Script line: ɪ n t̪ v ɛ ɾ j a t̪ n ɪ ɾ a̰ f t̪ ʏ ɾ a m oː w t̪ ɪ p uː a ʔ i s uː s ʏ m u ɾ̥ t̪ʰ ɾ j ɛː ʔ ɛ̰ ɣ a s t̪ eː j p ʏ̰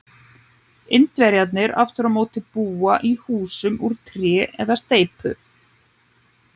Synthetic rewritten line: ɪ n t̪ v ɛ ɾ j a t̪ n ɪ ɾ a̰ f t̪ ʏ ɾ a m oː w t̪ ɪ p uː a ʔ i h uː s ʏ m u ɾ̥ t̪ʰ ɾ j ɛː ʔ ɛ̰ ð a s t̪ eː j p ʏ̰